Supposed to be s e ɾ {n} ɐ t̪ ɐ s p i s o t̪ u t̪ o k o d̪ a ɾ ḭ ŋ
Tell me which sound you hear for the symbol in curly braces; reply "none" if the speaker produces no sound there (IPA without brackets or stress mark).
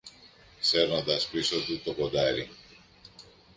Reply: n